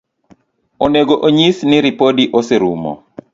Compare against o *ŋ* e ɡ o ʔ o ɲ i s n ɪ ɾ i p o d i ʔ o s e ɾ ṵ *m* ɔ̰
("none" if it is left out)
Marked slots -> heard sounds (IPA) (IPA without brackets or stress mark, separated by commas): n, m